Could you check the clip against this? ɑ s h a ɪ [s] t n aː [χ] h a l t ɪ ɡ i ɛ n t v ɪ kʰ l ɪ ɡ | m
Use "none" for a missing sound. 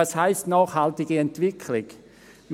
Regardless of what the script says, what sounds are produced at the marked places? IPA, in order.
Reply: s, χ

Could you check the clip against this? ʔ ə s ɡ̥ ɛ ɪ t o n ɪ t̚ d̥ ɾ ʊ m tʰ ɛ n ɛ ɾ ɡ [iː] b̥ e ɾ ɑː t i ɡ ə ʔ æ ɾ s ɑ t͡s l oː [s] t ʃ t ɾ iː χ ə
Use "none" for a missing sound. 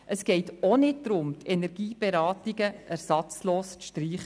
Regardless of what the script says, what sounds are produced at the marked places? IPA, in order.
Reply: iː, s

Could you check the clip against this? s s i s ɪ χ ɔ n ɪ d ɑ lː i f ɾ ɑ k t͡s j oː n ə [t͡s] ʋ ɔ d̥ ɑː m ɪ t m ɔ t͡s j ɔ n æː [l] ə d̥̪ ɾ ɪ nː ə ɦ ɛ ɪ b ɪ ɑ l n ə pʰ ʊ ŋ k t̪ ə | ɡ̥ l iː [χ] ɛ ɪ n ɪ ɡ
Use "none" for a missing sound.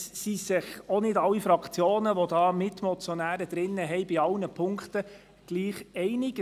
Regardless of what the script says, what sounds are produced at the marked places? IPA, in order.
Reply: none, ɾ, χ

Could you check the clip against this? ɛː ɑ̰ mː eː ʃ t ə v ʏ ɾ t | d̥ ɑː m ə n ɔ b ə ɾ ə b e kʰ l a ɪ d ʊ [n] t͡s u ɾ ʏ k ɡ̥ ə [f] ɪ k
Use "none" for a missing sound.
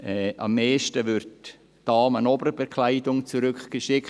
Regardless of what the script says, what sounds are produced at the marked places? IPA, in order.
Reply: ŋ, ʃ

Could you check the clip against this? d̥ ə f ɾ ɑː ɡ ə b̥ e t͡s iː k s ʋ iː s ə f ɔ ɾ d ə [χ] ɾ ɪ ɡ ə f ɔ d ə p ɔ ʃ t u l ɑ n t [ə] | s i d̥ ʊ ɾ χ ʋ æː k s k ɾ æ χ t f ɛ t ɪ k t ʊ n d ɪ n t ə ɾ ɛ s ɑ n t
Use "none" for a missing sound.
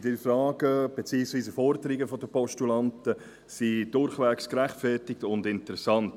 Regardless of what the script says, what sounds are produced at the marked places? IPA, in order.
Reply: none, ə

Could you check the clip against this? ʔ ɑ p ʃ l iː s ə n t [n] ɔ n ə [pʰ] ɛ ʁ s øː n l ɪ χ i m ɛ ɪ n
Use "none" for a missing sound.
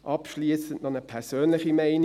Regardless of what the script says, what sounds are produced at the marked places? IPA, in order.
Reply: n, pʰ

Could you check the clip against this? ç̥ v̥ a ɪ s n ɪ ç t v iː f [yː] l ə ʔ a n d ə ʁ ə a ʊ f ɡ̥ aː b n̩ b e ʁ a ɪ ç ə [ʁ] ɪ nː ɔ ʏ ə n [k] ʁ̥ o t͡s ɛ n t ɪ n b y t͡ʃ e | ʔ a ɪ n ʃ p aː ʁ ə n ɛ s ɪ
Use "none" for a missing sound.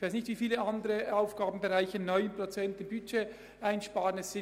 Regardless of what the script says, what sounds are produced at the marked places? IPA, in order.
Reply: iː, none, p

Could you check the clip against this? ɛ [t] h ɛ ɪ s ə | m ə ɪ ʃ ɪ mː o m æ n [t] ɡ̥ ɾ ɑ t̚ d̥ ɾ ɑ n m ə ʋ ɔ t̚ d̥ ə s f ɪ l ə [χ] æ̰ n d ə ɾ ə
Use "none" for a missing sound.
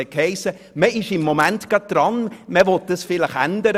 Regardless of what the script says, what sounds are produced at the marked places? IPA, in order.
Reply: k, t, χ

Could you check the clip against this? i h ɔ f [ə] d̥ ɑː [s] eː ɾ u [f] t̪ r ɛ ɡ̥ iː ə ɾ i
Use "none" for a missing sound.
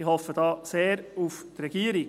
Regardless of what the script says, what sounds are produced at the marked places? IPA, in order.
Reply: ə, s, f

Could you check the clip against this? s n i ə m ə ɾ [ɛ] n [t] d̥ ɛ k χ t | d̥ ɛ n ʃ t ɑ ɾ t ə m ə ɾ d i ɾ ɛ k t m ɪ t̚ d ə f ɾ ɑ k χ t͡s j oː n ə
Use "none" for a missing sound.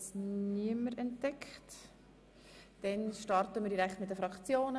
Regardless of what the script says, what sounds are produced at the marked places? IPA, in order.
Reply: ɛ, t

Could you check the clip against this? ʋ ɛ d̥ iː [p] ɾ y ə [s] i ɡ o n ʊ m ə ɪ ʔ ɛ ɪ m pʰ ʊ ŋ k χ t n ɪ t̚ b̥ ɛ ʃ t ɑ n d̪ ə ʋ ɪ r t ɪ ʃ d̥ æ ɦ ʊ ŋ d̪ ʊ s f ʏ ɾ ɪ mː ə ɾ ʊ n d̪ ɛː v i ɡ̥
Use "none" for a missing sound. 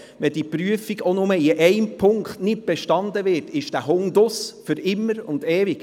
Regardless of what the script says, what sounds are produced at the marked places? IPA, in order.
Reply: p, f

